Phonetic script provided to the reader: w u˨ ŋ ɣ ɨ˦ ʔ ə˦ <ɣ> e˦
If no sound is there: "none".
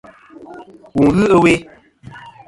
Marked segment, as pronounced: w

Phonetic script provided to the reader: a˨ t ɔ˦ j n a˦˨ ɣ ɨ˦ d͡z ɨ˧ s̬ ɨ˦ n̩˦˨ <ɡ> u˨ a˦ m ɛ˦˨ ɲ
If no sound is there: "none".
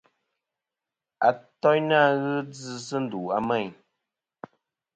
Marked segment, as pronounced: d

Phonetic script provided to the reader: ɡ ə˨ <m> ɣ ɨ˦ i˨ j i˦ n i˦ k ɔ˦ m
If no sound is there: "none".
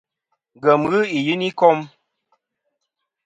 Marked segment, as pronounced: m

